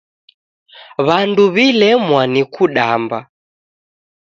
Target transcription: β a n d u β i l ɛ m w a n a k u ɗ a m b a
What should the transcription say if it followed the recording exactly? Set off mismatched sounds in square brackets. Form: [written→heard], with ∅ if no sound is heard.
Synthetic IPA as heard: β a n d u β i l ɛ m w a n [a→i] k u ɗ a m b a